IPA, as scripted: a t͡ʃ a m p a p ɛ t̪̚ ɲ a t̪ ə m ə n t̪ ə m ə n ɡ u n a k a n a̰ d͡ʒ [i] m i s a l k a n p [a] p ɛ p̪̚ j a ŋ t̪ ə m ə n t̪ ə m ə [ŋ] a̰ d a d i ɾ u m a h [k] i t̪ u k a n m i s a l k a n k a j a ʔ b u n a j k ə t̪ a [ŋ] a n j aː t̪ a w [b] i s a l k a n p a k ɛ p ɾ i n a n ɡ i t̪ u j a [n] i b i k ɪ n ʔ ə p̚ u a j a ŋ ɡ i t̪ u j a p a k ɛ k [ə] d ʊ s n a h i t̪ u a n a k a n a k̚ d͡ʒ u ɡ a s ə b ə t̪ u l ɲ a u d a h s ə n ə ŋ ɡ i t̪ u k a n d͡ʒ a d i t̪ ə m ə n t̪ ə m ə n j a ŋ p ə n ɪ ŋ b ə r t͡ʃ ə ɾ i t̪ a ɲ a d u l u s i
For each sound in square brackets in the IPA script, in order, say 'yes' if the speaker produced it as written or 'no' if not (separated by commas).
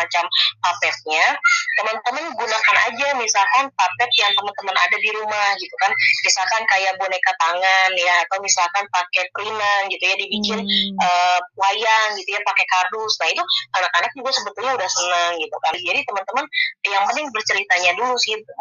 no, yes, no, no, yes, no, no, no